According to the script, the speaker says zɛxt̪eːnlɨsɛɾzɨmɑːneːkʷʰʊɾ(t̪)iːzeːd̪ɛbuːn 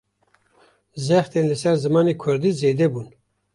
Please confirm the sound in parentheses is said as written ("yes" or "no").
no